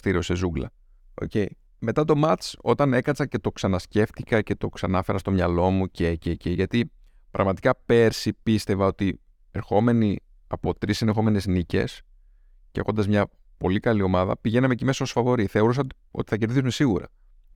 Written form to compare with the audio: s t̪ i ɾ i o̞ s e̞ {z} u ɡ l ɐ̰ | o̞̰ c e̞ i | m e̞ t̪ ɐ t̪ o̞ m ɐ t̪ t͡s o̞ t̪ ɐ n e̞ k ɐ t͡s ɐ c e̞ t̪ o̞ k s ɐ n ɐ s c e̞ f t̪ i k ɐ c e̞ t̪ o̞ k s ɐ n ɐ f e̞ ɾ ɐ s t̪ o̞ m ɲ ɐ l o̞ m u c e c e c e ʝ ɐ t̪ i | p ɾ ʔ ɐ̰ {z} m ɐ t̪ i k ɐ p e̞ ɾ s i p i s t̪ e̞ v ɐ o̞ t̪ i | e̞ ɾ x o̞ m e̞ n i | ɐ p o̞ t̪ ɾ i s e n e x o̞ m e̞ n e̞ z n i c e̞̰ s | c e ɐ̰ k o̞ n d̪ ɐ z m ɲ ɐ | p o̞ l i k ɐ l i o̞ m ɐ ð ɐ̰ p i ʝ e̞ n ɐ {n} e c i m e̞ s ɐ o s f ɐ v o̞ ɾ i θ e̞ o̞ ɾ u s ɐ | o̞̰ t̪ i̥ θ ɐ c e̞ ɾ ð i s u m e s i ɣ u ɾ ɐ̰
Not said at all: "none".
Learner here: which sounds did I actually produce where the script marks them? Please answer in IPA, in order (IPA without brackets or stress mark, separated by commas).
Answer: z, ɣ, m